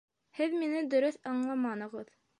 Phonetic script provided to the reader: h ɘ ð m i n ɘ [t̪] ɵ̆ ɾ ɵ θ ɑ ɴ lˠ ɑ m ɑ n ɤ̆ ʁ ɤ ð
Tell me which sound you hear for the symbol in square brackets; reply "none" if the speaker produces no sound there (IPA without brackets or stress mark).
d̪